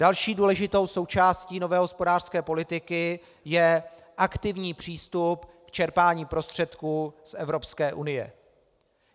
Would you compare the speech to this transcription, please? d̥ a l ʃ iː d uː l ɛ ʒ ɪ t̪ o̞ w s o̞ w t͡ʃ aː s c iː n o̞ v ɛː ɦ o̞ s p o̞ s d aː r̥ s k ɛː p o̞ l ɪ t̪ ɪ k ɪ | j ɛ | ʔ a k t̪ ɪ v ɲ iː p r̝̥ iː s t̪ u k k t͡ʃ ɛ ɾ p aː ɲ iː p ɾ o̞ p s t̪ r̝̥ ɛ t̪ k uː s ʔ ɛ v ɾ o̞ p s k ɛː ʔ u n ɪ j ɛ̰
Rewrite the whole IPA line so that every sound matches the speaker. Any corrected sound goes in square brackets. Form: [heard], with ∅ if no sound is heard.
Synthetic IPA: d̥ a l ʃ iː d uː l ɛ ʒ ɪ t̪ o̞ w s o̞ w t͡ʃ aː s c iː n o̞ v ɛː ɦ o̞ s p o̞ [∅] d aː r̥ s k ɛː p o̞ l ɪ t̪ ɪ k ɪ | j ɛ | ʔ a k t̪ ɪ v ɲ iː p r̝̥ iː s t̪ u [p] k t͡ʃ ɛ ɾ p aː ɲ iː p ɾ o̞ [∅] s t̪ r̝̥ ɛ t̪ k uː s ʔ ɛ v ɾ o̞ p s k ɛː ʔ u n ɪ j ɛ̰